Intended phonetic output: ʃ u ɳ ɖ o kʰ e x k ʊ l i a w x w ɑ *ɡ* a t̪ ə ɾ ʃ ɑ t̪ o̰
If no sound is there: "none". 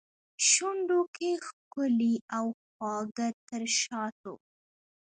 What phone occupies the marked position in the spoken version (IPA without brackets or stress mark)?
ɡ